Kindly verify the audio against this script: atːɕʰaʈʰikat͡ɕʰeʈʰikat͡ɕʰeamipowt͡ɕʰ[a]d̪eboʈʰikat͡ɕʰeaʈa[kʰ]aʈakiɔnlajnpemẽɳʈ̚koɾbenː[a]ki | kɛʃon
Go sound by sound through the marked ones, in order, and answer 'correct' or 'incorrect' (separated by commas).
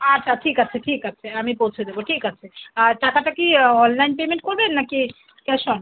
incorrect, incorrect, correct